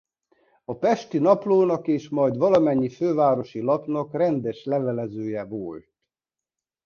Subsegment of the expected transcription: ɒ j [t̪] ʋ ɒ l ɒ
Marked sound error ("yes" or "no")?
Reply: yes